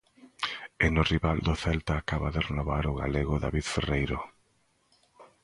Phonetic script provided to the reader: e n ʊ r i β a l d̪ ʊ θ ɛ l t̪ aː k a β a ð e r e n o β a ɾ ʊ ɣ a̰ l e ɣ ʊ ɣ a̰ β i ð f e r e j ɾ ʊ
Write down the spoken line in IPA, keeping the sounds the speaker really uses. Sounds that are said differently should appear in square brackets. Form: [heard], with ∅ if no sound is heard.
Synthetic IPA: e n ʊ r i β a l d̪ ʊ θ ɛ l t̪ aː k a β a ð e r e n o β a ɾ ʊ ɣ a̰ l e ɣ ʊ [ð] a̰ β i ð f e r e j ɾ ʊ